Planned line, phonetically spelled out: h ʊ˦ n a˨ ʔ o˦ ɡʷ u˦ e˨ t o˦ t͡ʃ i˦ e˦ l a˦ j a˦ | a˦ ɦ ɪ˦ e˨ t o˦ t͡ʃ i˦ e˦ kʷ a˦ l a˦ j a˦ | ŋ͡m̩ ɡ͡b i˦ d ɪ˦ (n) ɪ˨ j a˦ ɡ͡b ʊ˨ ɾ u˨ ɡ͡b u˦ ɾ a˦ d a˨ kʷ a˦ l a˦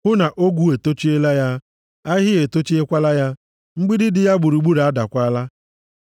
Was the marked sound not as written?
yes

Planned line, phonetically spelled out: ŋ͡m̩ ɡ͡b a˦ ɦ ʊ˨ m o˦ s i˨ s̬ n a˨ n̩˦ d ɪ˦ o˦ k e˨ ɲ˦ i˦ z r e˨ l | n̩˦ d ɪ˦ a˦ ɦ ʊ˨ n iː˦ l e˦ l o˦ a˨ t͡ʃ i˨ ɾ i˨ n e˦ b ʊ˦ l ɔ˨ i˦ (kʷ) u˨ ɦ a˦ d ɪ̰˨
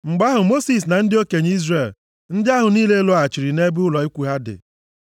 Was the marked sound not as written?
no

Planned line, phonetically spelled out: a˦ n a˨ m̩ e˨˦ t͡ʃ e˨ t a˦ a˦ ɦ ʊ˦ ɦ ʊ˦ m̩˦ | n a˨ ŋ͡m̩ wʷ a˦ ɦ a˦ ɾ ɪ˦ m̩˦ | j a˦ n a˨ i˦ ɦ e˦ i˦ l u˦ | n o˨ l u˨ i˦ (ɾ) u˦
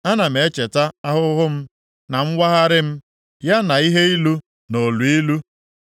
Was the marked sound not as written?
yes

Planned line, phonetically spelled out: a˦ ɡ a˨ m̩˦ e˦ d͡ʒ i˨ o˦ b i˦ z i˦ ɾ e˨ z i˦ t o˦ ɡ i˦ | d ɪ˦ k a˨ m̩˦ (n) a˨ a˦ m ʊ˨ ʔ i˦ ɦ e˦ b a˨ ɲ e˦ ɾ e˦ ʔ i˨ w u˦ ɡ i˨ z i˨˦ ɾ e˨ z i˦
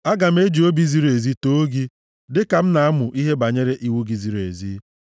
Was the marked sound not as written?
no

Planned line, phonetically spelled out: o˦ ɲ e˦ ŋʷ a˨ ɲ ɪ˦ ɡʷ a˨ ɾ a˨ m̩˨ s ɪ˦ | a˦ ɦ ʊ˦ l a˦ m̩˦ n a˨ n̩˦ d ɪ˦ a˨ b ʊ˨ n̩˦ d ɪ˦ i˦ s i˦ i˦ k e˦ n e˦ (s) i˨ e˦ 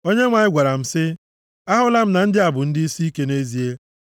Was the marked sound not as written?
yes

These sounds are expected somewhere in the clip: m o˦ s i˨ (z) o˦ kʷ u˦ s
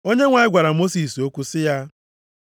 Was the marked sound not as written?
yes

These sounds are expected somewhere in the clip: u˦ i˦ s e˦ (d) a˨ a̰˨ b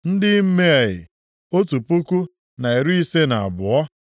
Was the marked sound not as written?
yes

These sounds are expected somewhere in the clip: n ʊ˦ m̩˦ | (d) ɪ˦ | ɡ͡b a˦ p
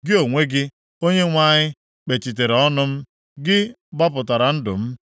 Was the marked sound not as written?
yes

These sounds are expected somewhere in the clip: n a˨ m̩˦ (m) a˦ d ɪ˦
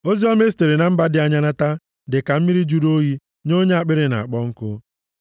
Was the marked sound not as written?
yes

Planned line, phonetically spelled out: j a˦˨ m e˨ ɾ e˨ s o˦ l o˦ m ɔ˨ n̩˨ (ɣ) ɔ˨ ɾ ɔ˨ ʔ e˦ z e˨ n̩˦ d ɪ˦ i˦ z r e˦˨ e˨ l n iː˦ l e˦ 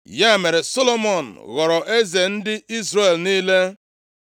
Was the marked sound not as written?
no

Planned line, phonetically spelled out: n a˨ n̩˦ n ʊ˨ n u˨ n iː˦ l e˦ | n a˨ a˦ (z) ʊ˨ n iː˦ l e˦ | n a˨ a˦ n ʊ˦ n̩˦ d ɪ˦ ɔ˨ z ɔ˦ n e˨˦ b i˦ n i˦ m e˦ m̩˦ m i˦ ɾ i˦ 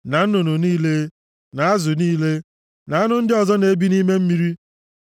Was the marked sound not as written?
no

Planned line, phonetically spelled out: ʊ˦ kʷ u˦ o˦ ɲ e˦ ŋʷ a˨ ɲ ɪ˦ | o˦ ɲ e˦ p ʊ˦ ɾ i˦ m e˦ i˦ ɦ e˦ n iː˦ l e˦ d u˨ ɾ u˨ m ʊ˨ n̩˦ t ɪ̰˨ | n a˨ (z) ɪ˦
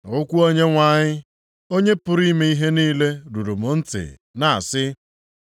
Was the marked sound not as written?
yes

